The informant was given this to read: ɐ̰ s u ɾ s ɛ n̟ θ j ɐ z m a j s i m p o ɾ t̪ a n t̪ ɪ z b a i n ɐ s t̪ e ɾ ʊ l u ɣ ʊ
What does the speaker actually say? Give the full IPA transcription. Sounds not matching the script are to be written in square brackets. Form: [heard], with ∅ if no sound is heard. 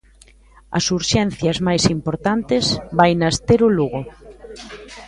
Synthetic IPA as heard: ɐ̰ s u ɾ [ʃ] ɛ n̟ θ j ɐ z m a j s i m p o ɾ t̪ a n t̪ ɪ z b a [j] n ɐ s t̪ e ɾ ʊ l u ɣ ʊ